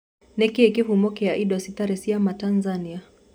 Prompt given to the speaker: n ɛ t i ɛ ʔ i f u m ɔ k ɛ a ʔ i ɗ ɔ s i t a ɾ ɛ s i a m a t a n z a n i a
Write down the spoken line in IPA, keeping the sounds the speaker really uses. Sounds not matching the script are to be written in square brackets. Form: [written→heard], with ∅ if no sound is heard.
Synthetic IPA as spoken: n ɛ [t→k] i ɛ [ʔ→k] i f u m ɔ k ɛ a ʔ i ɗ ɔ s i t a ɾ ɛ s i a m a t a n z a n i a